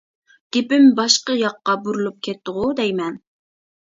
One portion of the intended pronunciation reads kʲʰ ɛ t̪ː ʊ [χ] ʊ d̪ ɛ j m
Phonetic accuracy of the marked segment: incorrect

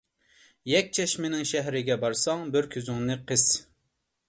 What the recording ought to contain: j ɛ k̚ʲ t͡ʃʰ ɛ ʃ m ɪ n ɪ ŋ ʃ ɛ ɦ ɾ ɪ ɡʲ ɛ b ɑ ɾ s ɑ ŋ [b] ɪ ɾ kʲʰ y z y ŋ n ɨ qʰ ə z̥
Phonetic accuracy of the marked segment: correct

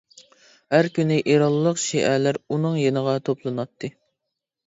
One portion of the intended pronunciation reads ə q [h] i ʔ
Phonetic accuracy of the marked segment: incorrect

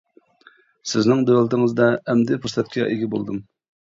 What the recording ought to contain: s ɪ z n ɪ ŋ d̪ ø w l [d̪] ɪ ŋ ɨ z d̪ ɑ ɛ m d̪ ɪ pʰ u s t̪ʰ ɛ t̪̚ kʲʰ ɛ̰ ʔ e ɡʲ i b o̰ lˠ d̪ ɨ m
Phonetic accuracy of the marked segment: incorrect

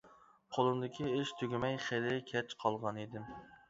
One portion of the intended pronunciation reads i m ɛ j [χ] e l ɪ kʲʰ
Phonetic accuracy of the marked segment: correct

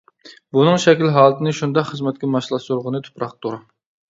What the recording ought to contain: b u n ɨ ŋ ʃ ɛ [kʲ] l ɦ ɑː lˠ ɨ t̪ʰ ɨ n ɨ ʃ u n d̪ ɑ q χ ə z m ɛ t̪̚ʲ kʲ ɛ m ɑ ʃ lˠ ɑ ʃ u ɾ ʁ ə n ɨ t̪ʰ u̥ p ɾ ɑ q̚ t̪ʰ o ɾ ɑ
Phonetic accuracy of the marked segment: correct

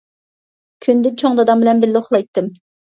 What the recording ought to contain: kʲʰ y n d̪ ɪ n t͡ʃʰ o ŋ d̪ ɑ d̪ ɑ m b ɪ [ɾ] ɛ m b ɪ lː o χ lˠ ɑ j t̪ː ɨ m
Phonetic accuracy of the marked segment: incorrect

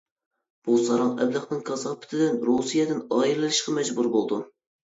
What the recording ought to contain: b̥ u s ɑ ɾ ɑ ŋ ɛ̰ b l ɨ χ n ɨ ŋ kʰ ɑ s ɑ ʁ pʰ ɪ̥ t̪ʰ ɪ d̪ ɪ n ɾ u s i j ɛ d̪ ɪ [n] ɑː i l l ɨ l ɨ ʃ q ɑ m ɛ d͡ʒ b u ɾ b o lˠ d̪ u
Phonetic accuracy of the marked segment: correct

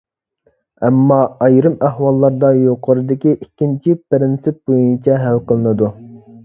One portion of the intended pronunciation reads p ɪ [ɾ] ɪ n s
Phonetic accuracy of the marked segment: correct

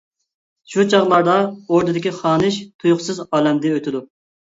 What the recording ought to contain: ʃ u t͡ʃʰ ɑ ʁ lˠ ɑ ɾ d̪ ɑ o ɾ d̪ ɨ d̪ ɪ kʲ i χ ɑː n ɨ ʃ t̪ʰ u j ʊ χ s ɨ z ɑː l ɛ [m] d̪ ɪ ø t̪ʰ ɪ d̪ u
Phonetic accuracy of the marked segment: correct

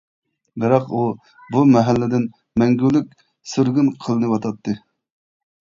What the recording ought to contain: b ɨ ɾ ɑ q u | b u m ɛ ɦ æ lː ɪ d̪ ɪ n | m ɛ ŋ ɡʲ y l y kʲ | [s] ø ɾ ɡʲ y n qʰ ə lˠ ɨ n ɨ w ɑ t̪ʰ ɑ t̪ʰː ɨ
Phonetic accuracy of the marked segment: correct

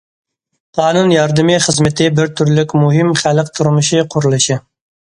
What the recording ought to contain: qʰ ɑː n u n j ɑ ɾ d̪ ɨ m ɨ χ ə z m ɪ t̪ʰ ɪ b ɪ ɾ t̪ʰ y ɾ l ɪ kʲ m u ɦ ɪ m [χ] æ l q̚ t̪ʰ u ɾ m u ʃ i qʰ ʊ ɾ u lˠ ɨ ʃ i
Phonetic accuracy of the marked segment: correct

